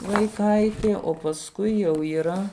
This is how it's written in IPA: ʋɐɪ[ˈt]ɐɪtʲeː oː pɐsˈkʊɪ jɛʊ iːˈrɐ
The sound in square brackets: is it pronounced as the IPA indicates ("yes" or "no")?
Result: no